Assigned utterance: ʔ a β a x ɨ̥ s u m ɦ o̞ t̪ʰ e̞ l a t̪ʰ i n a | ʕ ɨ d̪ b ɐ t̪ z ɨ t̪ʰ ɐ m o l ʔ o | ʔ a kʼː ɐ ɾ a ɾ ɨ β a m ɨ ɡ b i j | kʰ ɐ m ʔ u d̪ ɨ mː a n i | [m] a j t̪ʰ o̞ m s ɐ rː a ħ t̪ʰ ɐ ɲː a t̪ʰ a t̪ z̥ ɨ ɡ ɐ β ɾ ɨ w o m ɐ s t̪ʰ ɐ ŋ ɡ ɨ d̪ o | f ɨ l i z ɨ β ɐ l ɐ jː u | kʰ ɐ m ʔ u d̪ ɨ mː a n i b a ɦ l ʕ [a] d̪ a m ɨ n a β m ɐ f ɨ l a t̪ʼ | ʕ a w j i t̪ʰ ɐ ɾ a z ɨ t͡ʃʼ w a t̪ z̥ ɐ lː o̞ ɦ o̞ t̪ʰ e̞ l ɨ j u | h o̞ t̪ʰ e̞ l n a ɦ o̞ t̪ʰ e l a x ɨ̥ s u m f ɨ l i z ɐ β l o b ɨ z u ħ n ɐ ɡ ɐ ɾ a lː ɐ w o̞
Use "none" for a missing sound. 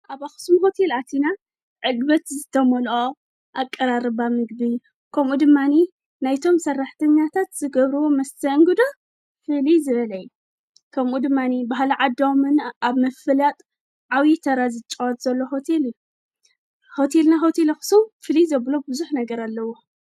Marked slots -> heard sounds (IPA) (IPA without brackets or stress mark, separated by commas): n, a